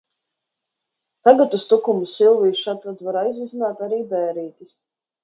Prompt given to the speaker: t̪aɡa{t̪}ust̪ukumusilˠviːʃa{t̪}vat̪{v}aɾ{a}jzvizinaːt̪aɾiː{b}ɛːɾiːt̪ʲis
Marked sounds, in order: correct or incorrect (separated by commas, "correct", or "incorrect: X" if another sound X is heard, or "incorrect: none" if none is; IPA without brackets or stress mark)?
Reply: correct, correct, correct, correct, correct